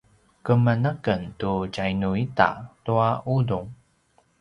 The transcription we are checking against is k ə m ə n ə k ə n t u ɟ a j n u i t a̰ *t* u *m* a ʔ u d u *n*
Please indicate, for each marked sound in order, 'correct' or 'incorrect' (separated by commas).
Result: correct, incorrect, incorrect